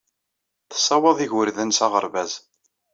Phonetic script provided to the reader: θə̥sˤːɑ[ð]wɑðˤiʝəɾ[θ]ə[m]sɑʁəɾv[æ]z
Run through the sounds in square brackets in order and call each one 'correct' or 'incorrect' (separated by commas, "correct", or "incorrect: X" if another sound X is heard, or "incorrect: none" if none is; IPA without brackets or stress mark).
incorrect: none, incorrect: ð, incorrect: n, correct